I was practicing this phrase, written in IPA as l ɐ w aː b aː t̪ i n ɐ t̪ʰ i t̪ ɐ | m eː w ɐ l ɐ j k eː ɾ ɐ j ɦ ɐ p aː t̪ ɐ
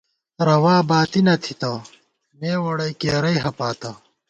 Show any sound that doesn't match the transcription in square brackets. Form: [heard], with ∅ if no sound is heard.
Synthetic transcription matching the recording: [ɾ] ɐ w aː b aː t̪ i n ɐ t̪ʰ i t̪ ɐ | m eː w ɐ [ɽ] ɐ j k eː ɾ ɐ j ɦ ɐ p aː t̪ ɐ